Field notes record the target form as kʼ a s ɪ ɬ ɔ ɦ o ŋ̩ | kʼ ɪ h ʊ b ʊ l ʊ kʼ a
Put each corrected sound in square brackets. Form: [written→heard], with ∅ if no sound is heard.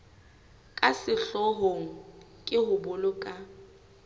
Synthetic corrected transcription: kʼ a s ɪ ɬ ɔ ɦ o ŋ̩ | kʼ ɪ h ʊ b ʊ l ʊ kʼ a

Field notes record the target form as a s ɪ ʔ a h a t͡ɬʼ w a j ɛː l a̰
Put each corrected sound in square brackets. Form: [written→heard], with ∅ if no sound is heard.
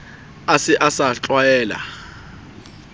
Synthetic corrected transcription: a s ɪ ʔ a [h→s] a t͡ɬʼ w a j ɛː l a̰

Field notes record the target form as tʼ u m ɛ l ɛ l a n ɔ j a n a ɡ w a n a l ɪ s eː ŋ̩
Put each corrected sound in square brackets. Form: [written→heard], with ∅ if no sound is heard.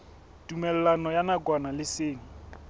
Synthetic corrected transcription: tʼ u m ɛ l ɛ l a n ɔ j a n a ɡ w a n a l ɪ s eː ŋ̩

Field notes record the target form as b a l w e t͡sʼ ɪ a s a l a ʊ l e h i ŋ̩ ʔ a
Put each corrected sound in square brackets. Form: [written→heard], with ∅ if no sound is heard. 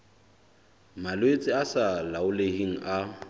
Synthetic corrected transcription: [b→m] a l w e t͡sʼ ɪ a s a l a ʊ l e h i ŋ̩ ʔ a

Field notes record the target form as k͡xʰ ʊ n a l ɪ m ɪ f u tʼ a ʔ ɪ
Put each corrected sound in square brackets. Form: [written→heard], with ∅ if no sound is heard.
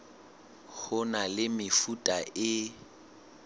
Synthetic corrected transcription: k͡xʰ ʊ n a l ɪ m ɪ f u tʼ a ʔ ɪ

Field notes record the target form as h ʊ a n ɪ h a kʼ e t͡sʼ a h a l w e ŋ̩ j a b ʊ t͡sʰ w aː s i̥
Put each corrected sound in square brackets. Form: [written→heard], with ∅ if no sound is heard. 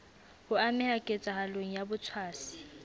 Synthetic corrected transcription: h ʊ a [n→m] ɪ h a kʼ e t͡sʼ a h a l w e ŋ̩ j a b ʊ t͡sʰ w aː s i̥

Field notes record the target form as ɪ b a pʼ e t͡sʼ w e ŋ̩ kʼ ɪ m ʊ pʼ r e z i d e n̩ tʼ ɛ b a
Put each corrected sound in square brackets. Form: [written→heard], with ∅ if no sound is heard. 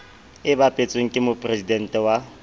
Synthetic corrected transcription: ɪ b a pʼ e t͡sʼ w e ŋ̩ kʼ ɪ m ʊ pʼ r e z i d [e→ɛ] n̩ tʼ ɛ [b→w] a

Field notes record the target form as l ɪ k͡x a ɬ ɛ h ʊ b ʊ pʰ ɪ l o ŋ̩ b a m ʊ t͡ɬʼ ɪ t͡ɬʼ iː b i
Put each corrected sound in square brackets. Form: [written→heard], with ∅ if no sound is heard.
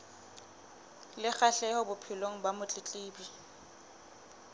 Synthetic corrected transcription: l ɪ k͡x a ɬ ɛ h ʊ b ʊ pʰ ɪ l o ŋ̩ b a m ʊ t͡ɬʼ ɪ t͡ɬʼ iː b i

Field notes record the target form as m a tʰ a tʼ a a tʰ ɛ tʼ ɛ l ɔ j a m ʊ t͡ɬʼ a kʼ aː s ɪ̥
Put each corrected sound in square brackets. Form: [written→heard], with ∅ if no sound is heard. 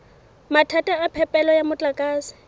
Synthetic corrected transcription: m a tʰ a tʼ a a [tʰ→pʰ] ɛ [tʼ→pʼ] ɛ l ɔ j a m ʊ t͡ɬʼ a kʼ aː s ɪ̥

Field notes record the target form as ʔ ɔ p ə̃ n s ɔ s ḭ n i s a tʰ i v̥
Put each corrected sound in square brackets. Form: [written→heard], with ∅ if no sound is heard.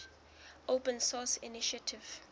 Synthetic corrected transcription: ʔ [ɔ→o] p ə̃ n s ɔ s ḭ n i [s→ʃ] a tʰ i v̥

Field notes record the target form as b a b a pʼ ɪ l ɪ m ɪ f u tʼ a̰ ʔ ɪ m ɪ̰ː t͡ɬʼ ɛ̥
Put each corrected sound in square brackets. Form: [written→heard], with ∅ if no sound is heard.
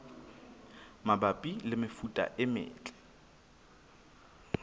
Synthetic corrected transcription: [b→m] a b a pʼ [ɪ→i] l ɪ m ɪ f u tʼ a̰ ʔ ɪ m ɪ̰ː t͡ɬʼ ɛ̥

